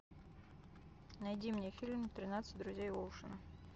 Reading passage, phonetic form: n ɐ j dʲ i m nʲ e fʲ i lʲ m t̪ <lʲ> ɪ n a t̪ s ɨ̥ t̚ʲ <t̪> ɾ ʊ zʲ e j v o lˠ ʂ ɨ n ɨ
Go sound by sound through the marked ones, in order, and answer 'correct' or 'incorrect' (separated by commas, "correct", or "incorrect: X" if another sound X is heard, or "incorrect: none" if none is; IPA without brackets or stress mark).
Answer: incorrect: ɾʲ, incorrect: d̪